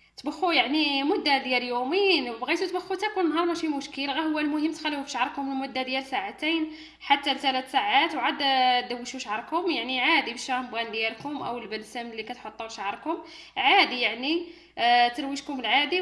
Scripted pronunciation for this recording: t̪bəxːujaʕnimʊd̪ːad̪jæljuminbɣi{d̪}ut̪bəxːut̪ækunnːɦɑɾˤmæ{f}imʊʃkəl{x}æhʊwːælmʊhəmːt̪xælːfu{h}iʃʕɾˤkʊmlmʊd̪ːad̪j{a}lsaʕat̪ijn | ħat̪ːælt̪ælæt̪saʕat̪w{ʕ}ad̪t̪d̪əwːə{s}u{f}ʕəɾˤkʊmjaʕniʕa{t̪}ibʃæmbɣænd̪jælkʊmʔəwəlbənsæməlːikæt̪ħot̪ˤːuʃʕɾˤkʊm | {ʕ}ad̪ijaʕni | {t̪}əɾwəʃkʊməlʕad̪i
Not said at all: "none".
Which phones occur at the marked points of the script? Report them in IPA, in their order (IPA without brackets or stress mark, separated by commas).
t̪, ʃ, ɣ, f, æ, ʕ, ʃ, ʃ, d̪, ʕ, t̪